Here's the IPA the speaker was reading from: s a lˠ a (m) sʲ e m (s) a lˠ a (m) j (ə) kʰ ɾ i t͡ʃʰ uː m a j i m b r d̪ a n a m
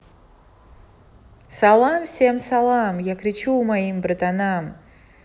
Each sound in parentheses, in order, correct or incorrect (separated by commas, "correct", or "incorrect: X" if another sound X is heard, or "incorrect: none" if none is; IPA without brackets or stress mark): correct, correct, correct, incorrect: a